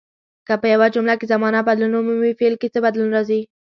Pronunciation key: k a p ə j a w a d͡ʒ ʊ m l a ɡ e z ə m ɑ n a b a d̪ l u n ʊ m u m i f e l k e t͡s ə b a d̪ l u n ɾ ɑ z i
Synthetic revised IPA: k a p ə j a w a d͡ʒ ʊ m l a k e z a m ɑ n a b a d̪ l u n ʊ m u m i f e l k e t͡s ə b a d̪ l u n ɾ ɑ z i